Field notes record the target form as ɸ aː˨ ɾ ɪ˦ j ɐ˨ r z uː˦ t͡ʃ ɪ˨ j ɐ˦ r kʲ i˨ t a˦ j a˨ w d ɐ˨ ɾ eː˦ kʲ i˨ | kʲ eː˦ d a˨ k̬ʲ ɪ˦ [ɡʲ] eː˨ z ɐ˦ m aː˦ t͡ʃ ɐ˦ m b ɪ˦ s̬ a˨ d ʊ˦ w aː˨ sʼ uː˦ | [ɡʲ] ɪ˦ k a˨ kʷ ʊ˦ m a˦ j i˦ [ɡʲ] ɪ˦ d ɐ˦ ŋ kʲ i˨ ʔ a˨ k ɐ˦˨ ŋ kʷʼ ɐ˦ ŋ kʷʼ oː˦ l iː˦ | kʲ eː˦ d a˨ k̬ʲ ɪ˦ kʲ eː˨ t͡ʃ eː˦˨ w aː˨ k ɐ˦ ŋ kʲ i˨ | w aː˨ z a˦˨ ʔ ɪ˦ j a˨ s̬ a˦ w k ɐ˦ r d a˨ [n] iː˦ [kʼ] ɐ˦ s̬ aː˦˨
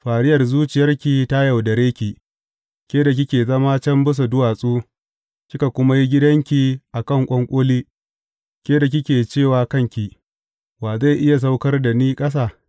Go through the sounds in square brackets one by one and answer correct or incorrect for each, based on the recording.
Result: incorrect: kʲ, incorrect: kʲ, correct, correct, correct

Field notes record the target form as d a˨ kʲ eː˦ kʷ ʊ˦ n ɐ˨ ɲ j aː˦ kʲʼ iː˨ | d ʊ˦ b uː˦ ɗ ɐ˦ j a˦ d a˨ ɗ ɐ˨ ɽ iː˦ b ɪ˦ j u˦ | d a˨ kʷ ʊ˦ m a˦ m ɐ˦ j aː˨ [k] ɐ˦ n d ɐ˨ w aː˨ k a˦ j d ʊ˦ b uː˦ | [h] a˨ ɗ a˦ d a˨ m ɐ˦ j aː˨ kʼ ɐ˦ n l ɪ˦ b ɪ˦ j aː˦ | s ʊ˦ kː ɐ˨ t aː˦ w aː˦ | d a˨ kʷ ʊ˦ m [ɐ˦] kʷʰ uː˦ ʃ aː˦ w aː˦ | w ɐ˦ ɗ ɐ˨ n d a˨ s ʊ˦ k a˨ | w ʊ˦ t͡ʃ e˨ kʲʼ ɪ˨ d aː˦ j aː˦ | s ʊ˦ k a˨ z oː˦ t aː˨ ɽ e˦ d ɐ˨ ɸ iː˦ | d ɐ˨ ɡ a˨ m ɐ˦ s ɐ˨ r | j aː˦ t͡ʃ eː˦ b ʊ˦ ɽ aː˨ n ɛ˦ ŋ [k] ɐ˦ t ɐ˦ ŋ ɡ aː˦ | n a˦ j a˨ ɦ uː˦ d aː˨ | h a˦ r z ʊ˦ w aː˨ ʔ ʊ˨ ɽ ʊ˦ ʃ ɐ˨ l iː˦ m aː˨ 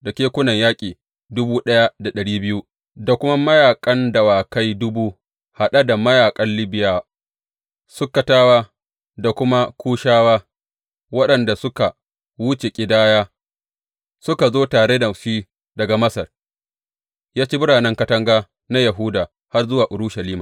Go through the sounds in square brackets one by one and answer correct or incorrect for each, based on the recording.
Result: incorrect: kʼ, correct, incorrect: a˦, correct

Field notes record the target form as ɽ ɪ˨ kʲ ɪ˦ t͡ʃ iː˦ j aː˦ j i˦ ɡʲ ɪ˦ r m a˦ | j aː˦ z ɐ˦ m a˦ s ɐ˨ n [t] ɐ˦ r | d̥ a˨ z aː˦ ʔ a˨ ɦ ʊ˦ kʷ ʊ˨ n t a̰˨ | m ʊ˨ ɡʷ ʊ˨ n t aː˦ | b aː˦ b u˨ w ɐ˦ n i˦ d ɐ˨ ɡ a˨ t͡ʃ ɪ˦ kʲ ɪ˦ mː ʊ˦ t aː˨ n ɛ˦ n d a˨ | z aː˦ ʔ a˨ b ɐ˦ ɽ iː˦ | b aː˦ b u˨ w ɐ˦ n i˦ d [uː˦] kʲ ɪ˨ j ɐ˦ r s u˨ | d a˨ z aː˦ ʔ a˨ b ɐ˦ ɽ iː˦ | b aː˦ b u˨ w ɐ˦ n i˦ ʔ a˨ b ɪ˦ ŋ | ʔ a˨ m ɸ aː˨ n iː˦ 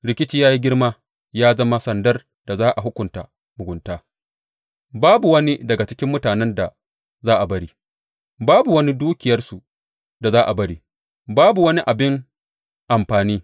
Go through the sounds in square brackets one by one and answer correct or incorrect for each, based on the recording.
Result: incorrect: d, correct

